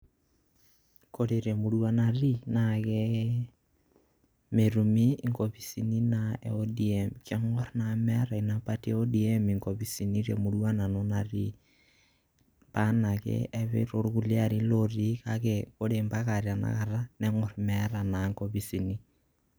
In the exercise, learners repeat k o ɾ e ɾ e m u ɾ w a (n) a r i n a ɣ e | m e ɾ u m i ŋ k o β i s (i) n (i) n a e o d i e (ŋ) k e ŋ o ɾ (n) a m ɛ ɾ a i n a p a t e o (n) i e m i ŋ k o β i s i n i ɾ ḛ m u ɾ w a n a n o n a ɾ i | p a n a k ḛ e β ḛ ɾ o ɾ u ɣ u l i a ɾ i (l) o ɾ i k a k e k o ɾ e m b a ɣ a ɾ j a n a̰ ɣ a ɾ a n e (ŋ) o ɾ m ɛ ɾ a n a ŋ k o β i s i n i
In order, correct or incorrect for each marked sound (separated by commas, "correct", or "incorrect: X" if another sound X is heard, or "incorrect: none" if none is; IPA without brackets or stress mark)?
correct, correct, correct, incorrect: m, correct, incorrect: d, correct, correct